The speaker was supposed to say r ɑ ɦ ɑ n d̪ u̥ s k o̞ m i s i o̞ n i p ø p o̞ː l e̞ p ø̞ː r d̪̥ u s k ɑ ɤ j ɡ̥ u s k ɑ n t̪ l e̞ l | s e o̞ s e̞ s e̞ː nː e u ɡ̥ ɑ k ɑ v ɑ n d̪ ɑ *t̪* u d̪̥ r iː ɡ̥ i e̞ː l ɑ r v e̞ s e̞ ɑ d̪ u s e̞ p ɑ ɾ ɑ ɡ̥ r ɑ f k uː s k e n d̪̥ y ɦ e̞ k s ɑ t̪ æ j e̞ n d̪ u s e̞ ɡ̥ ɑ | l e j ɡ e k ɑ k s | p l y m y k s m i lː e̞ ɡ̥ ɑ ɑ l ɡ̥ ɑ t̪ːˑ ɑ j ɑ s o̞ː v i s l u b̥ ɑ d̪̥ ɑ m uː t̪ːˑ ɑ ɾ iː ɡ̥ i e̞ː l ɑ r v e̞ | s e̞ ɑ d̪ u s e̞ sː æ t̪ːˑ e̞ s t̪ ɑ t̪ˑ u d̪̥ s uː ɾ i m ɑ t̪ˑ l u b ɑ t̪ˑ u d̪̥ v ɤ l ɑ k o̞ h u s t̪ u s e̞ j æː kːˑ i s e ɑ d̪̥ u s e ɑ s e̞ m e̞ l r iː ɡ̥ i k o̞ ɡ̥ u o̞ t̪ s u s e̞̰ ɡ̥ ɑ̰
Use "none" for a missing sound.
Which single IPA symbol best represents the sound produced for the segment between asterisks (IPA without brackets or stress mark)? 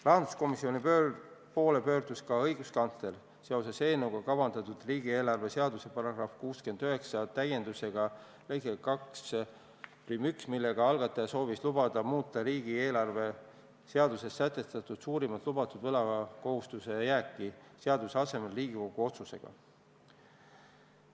t̪